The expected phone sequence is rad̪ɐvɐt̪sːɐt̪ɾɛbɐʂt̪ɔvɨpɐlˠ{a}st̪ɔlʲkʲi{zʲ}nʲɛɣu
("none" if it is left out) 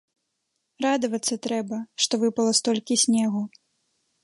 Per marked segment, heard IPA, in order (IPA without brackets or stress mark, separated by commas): ɐ, sʲ